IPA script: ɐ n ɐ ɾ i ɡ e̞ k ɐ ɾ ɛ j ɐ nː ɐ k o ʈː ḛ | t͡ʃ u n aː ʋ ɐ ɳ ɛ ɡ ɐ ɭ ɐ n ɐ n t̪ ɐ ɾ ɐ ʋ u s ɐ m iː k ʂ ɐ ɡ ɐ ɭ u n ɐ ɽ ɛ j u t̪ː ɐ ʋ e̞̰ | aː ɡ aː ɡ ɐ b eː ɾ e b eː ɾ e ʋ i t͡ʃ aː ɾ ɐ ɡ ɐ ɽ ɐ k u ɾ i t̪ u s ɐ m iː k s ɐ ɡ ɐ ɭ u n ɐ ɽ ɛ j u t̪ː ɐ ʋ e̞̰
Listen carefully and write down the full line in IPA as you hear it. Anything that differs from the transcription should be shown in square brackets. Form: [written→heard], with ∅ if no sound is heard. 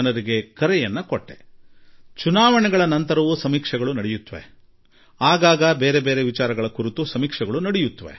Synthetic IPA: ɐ n ɐ ɾ i ɡ e̞ k ɐ ɾ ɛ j ɐ nː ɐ k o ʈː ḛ | t͡ʃ u n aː ʋ ɐ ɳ ɛ ɡ ɐ ɭ ɐ n ɐ n t̪ ɐ ɾ ɐ ʋ u s ɐ m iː k ʂ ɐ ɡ ɐ ɭ u n ɐ ɽ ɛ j u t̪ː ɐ ʋ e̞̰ | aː ɡ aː ɡ ɐ b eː ɾ e b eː ɾ e ʋ i t͡ʃ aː ɾ ɐ ɡ ɐ [ɽ→ɭ] ɐ k u ɾ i t̪ u s ɐ m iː k [s→ʂ] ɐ ɡ ɐ ɭ u n ɐ ɽ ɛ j u t̪ː ɐ ʋ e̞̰

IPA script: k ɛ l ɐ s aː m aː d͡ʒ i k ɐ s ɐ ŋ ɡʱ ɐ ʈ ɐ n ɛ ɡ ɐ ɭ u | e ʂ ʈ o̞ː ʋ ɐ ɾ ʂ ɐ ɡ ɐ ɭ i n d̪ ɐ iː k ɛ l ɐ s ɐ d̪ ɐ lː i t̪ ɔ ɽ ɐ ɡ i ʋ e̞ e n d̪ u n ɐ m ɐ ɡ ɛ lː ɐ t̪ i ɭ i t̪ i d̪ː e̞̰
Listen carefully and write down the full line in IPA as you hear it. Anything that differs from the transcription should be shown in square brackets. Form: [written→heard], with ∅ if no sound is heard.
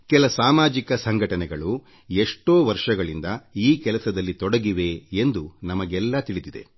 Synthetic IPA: k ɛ l ɐ s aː m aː d͡ʒ i k ɐ s ɐ ŋ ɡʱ ɐ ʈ ɐ n ɛ ɡ ɐ ɭ u | e ʂ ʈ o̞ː ʋ ɐ ɾ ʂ ɐ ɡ ɐ ɭ i n d̪ ɐ iː k ɛ l ɐ s ɐ d̪ ɐ lː i t̪ ɔ ɽ ɐ ɡ i ʋ e̞ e n d̪ u n ɐ m ɐ ɡ ɛ lː ɐ t̪ i ɭ i [t̪→d̪] i [d̪ː→d̪] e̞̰

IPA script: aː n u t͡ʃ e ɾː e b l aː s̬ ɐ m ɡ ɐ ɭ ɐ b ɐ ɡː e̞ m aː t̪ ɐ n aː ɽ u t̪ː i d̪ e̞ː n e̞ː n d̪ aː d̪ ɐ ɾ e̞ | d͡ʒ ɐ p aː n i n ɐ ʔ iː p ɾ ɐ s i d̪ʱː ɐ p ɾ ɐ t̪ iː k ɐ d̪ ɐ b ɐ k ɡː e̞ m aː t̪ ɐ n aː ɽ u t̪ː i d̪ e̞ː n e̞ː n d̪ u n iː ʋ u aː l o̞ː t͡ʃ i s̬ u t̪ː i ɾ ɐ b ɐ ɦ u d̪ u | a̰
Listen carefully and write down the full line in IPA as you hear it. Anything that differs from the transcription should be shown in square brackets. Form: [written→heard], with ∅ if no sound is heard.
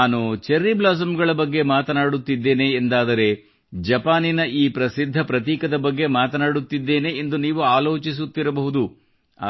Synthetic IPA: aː n u t͡ʃ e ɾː [e→i] b l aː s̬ ɐ m ɡ ɐ ɭ ɐ b ɐ ɡː e̞ m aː t̪ ɐ n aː ɽ u t̪ː i [d̪→d̪ː] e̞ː n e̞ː n d̪ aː d̪ ɐ ɾ e̞ | d͡ʒ ɐ p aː n i n ɐ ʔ iː p ɾ ɐ s i d̪ʱː ɐ p ɾ ɐ t̪ iː k ɐ d̪ ɐ b ɐ [k→∅] ɡː e̞ m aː t̪ ɐ n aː ɽ u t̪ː i [d̪→d̪ː] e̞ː n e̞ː n d̪ u n iː ʋ u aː l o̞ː t͡ʃ i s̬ u t̪ː i ɾ ɐ b ɐ ɦ u d̪ u | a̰

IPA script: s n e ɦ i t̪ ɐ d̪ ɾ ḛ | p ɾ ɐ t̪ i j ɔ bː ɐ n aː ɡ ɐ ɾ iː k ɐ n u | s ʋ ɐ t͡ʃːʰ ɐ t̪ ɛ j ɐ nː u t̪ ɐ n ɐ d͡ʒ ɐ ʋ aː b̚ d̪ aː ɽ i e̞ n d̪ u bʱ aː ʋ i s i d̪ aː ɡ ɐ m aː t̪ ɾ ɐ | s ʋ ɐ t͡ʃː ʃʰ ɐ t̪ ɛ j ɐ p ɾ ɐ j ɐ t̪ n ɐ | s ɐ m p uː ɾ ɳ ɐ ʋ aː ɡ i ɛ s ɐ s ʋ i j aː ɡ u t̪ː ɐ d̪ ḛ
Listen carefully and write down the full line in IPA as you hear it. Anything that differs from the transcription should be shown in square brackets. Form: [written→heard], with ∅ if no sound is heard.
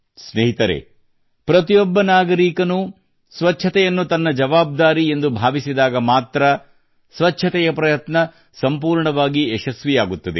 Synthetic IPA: s n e ɦ i t̪ ɐ [d̪→∅] ɾ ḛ | p ɾ ɐ t̪ i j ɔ bː ɐ n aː ɡ ɐ ɾ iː k ɐ n u | s ʋ ɐ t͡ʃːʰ ɐ t̪ ɛ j ɐ nː u t̪ ɐ [n→nː] ɐ d͡ʒ ɐ ʋ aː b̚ d̪ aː [ɽ→ɾ] i e̞ n d̪ u bʱ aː ʋ i s i d̪ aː ɡ ɐ m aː t̪ ɾ ɐ | s ʋ ɐ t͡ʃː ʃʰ ɐ t̪ ɛ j ɐ p ɾ ɐ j ɐ t̪ n ɐ | s ɐ m p uː ɾ ɳ ɐ ʋ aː ɡ i ɛ [s→ʃ] ɐ s ʋ i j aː ɡ u t̪ː ɐ d̪ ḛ

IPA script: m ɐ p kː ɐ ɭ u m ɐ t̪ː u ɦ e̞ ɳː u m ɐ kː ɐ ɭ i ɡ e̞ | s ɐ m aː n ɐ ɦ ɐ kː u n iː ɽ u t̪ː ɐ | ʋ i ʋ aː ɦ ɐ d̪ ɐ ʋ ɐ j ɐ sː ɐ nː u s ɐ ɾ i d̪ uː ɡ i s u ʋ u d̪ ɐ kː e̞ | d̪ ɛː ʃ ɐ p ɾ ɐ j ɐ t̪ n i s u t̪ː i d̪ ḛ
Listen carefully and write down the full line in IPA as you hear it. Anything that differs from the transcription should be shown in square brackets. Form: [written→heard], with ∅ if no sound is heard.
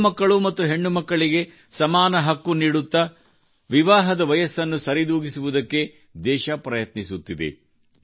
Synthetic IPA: m ɐ [p→∅] kː ɐ ɭ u m ɐ t̪ː u ɦ e̞ ɳː u m ɐ kː ɐ ɭ i ɡ e̞ | s ɐ m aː n ɐ ɦ ɐ kː u n iː ɽ u t̪ː ɐ | ʋ i ʋ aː ɦ ɐ d̪ ɐ ʋ ɐ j ɐ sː ɐ nː u s ɐ ɾ i d̪ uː ɡ i s u ʋ u d̪ ɐ kː e̞ | d̪ ɛː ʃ ɐ p ɾ ɐ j ɐ t̪ n i s u t̪ː i d̪ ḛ

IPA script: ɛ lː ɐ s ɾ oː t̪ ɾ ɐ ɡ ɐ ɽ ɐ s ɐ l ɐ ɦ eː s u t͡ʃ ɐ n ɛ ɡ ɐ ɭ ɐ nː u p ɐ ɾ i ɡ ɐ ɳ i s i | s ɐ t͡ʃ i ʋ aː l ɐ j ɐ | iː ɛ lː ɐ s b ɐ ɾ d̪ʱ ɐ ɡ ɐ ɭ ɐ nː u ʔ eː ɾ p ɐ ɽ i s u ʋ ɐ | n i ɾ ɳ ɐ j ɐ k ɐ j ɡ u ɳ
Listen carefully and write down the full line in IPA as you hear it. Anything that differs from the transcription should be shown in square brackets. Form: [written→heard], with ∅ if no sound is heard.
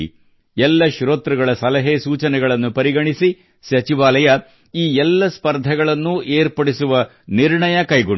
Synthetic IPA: ɛ lː ɐ [s→ʃ] ɾ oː t̪ ɾ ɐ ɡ ɐ [ɽ→ɭ] ɐ s ɐ l ɐ ɦ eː s [u→uː] t͡ʃ ɐ n ɛ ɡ ɐ ɭ ɐ nː u p ɐ ɾ i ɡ ɐ ɳ i s i | s ɐ t͡ʃ i ʋ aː l ɐ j ɐ | iː ɛ lː ɐ s [b→p] ɐ ɾ d̪ʱ ɐ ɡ ɐ ɭ ɐ nː u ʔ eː ɾ p ɐ ɽ i s u ʋ ɐ | n i ɾ ɳ ɐ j ɐ k ɐ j ɡ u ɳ

